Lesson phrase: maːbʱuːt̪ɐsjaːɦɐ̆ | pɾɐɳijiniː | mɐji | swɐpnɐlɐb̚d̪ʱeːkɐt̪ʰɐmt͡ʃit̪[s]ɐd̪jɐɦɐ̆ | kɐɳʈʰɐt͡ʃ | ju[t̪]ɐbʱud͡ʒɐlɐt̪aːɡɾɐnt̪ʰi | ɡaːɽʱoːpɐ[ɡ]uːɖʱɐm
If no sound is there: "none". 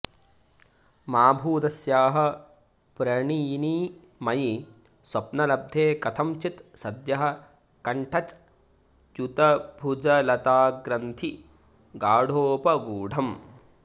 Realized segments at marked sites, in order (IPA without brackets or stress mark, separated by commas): s, t̪, ɡ